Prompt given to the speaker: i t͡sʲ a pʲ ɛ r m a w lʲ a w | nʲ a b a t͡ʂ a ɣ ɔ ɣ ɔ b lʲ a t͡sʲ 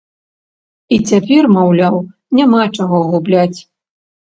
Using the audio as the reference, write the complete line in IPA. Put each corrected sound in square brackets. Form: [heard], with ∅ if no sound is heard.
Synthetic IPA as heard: i t͡sʲ a pʲ ɛ r m a w lʲ a w | nʲ a [m] a t͡ʂ a ɣ ɔ ɣ [u] b lʲ a t͡sʲ